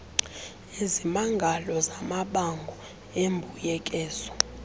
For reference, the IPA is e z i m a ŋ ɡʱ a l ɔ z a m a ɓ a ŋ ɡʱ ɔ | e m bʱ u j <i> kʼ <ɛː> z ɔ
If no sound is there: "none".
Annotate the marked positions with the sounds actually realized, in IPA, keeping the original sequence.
ɛ, ɛː

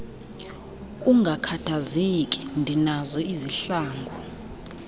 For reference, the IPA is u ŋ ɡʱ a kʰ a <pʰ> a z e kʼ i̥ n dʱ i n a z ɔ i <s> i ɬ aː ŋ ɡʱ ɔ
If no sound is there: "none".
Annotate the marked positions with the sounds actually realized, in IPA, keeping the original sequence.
tʰ, z

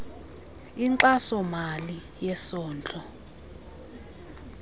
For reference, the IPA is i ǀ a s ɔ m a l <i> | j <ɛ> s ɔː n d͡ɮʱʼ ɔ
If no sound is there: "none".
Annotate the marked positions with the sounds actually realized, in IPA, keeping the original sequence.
i, ɛ

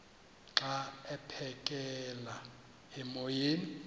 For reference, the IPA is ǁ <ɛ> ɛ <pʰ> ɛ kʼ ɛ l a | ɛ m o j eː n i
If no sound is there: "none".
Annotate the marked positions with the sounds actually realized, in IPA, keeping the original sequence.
a, pʰ

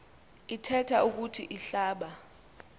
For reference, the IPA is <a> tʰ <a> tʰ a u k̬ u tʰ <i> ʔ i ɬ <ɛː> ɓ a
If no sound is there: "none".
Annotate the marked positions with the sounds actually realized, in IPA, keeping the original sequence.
i, ɛ, i, aː

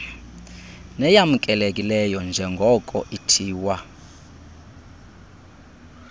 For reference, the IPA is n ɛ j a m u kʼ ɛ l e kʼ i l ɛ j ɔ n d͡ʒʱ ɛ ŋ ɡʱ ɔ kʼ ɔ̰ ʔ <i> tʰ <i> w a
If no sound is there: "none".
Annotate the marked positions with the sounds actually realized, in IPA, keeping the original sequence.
i, iː

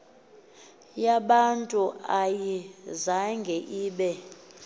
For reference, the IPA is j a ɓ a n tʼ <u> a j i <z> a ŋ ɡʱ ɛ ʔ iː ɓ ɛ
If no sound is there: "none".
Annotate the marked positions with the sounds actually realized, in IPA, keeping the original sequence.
u, z

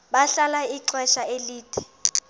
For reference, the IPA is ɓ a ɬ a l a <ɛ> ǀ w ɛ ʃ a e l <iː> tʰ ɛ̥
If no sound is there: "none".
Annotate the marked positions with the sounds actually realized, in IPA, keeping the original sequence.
i, iː

